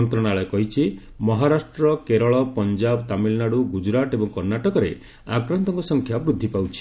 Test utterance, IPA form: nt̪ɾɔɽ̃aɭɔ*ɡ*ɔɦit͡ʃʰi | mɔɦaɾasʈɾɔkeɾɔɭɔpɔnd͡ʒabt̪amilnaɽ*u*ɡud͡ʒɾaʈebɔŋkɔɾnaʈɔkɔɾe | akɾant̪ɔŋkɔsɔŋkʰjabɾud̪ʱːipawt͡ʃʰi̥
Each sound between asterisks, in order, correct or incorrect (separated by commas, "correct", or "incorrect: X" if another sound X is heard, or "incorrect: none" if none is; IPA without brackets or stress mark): incorrect: k, correct